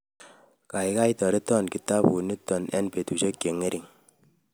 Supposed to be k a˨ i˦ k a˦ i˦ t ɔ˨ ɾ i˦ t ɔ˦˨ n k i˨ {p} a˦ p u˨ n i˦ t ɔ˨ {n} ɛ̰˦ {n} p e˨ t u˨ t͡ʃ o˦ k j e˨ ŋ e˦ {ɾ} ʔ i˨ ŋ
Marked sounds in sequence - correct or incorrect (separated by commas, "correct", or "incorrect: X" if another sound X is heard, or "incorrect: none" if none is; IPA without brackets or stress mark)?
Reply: incorrect: t, correct, correct, correct